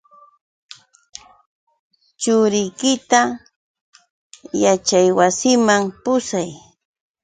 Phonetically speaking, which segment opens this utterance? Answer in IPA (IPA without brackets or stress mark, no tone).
t͡ʃ